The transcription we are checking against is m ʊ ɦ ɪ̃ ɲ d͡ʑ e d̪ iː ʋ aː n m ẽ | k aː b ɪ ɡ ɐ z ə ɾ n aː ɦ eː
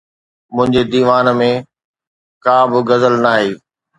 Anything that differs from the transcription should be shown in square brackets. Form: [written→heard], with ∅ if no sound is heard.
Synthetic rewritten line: m [ʊ→ʊ̃] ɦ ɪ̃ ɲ d͡ʑ e d̪ iː ʋ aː n m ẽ | k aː b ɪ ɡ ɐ z ə [ɾ→l] n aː ɦ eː